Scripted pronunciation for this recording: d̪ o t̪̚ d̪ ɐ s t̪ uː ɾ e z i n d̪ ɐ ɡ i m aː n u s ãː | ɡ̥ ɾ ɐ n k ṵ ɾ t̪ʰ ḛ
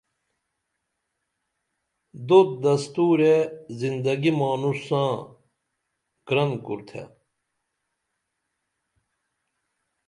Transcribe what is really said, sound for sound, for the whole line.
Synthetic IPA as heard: d̪ o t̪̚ d̪ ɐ s t̪ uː ɾ e z i n d̪ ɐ ɡ i m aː n u s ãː | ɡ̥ ɾ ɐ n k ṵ ɾ t̪ʰ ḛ